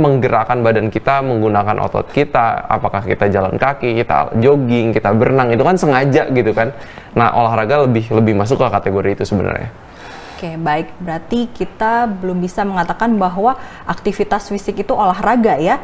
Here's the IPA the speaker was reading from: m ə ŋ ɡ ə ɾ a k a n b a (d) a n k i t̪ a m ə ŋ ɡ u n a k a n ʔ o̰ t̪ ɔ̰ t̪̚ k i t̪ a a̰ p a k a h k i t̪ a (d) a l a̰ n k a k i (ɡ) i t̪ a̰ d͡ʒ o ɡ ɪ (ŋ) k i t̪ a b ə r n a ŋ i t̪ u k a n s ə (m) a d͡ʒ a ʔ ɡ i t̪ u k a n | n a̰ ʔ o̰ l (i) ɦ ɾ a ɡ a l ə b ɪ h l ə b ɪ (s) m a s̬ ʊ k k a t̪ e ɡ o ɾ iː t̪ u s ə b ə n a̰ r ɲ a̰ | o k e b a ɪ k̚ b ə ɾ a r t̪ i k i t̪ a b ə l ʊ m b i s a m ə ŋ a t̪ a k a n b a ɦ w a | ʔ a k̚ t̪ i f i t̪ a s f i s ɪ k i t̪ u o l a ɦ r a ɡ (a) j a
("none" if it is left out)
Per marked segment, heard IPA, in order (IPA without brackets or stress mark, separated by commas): d, d͡ʒ, k, ŋ, ŋ, a, h, a